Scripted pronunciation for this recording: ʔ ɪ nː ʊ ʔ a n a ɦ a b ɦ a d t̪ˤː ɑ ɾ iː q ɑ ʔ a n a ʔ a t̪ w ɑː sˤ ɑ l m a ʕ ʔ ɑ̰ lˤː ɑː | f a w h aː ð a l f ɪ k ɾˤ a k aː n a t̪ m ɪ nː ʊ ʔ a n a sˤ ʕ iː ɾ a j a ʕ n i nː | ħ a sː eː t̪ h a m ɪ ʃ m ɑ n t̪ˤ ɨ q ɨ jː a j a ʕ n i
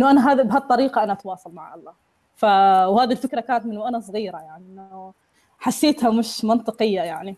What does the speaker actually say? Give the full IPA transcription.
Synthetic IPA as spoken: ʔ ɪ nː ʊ ʔ a n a ɦ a b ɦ a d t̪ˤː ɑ ɾ iː q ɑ ʔ a n a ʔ a t̪ w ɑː sˤ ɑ l m a ʕ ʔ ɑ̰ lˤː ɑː | f a w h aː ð i l f ɪ k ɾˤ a k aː n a t̪ m ɪ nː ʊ ʔ a n a sˤ ɣ iː ɾ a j a ʕ n i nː | ħ a sː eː t̪ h a m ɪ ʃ m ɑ n t̪ˤ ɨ q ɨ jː a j a ʕ n i